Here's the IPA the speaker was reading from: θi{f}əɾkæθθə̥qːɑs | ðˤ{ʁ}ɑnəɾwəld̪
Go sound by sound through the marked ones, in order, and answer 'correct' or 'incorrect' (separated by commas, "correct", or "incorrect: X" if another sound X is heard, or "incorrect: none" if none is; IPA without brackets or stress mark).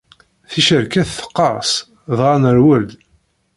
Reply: incorrect: ʃ, correct